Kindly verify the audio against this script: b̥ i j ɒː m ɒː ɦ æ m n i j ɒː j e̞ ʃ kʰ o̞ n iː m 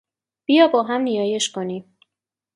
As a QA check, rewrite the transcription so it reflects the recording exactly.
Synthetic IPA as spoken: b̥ i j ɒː b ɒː ɦ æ m n i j ɒː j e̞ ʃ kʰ o̞ n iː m